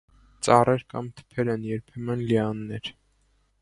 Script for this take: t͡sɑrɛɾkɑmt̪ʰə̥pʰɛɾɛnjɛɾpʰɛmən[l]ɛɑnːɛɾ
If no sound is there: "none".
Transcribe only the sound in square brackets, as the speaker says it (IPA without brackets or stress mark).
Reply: l